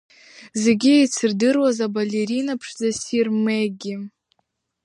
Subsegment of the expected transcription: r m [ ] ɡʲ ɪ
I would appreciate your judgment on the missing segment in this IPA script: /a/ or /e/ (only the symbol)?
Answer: e